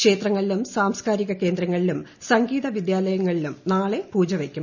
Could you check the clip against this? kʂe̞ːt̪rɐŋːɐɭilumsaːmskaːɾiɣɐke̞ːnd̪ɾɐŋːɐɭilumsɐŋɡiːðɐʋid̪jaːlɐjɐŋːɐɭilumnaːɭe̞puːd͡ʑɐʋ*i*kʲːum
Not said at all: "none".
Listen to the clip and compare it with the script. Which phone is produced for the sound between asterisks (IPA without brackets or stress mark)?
e